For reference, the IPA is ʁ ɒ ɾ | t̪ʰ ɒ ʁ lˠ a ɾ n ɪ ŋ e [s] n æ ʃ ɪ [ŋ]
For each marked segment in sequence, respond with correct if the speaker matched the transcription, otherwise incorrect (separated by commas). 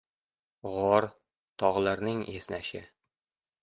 correct, incorrect